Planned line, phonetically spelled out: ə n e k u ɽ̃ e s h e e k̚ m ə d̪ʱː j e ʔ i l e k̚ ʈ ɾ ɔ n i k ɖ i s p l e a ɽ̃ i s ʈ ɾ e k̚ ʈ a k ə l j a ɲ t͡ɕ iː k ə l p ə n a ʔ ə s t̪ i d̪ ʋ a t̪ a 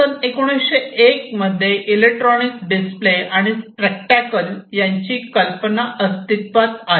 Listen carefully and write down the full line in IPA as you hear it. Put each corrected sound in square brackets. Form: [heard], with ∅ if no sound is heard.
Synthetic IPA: ə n e k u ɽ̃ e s [ɕ] e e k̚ m ə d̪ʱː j e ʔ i l e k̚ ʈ ɾ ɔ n i k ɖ i s p l e a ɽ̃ i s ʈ ɾ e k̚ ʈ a k ə l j a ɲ t͡ɕ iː k ə l p ə n a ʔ ə s t̪ i [t̪] ʋ a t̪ a